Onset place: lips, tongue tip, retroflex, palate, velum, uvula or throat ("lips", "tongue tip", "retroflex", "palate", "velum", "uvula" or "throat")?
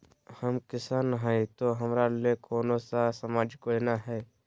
throat